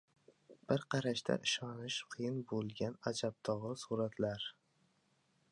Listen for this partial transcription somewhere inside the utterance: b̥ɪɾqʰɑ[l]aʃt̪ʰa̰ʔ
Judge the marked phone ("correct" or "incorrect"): incorrect